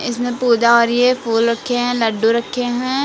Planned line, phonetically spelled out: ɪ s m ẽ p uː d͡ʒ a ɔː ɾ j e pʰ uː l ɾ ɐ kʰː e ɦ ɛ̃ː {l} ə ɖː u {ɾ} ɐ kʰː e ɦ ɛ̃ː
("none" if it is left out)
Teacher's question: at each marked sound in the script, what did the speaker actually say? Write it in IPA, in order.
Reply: l, ɾ

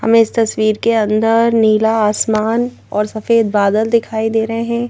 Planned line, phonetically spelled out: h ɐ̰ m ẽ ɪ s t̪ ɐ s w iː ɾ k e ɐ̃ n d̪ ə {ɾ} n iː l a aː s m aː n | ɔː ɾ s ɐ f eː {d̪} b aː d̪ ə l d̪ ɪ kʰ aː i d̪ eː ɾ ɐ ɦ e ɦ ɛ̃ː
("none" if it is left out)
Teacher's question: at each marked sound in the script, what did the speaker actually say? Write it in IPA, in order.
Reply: ɾ, d̪

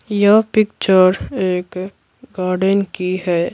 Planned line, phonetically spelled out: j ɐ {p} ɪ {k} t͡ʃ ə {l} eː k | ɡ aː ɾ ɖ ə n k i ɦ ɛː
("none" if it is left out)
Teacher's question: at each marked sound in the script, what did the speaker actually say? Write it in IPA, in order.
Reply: p, k, ɾ

